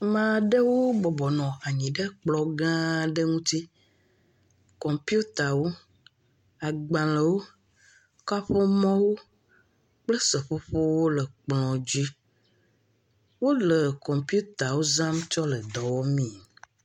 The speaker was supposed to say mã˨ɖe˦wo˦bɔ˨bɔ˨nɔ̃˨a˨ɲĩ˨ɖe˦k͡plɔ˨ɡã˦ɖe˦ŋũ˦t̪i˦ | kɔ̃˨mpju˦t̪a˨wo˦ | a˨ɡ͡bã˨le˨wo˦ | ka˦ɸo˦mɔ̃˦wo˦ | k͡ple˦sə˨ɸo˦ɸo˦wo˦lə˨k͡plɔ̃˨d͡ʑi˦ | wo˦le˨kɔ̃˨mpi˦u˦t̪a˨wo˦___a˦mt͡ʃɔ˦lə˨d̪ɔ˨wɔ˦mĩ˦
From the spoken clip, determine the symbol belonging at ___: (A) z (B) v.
A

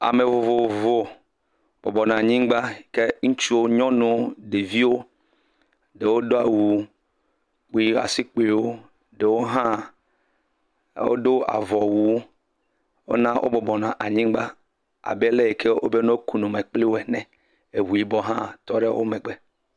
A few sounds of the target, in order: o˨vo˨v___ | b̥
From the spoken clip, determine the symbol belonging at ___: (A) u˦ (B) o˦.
B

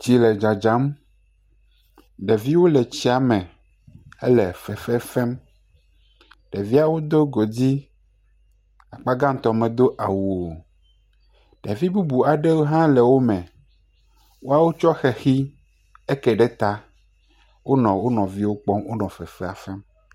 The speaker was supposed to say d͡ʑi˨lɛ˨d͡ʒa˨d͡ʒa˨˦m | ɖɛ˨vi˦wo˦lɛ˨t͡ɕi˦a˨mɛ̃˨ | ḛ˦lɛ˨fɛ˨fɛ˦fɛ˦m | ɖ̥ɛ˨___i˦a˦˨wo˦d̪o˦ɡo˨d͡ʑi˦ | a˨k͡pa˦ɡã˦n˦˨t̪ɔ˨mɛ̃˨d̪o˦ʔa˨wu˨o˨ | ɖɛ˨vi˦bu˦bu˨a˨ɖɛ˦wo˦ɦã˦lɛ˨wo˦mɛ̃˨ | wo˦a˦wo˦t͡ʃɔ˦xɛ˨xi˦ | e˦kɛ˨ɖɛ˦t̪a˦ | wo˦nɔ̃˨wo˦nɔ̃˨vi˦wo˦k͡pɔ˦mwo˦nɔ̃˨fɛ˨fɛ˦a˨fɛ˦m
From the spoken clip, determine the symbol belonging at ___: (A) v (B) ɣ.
A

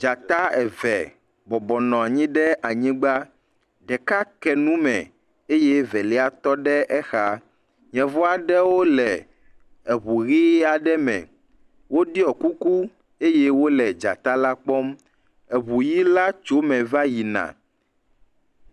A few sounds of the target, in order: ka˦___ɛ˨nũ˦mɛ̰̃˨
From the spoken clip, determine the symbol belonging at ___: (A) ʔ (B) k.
B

